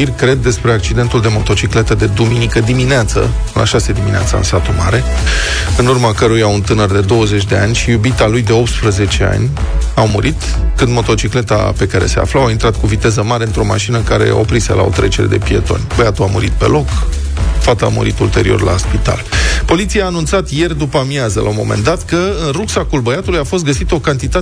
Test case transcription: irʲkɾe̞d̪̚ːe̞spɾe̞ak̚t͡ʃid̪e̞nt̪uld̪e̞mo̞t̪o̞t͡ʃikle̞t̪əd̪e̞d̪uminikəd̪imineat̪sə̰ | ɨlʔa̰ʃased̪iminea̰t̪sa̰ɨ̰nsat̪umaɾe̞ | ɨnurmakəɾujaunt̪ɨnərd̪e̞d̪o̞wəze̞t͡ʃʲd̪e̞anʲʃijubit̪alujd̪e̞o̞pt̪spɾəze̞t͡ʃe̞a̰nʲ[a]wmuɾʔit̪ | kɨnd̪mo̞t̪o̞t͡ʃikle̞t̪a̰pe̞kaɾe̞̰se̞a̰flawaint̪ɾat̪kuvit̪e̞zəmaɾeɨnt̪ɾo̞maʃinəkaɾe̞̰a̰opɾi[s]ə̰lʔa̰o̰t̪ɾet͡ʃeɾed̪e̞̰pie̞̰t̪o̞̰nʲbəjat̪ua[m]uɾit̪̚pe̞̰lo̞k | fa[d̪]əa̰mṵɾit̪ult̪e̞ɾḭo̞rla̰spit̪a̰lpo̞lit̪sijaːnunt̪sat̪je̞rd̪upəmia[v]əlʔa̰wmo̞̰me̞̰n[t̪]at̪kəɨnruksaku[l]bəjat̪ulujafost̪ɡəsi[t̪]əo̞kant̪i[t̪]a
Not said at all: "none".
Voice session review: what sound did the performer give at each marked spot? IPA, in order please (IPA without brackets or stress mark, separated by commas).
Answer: a, s, m, t̪, z, d̪, l, t̪, t̪